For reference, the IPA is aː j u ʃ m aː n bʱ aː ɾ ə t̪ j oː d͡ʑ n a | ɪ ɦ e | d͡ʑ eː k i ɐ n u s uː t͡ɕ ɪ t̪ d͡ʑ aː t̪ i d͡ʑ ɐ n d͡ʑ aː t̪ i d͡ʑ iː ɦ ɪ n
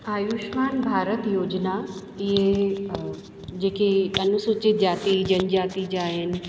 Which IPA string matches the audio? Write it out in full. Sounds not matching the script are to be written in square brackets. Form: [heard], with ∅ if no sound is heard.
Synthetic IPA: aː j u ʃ m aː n bʱ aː ɾ ə t̪ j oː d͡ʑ n a | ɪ ɦ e | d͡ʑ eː k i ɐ n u s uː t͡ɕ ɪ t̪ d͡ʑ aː t̪ i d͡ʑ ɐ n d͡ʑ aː t̪ i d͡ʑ [aː] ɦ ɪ n